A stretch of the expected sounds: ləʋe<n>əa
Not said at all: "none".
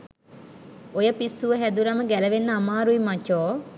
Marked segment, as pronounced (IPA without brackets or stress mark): nː